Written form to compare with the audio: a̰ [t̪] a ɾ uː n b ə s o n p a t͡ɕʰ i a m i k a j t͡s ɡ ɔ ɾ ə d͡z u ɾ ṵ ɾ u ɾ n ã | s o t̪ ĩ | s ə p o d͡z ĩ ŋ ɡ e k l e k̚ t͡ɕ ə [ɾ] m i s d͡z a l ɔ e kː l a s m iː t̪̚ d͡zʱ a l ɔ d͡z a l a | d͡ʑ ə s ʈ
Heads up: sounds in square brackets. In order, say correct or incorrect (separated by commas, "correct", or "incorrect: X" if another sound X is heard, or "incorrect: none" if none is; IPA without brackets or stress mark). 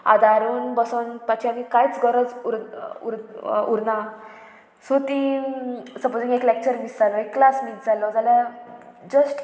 incorrect: d̪, correct